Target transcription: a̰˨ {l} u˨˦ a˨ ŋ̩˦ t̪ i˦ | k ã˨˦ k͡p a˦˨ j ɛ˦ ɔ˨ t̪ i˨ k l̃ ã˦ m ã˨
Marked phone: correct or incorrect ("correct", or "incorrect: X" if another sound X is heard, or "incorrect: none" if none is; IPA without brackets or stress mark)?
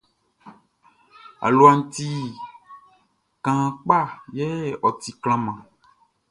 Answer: correct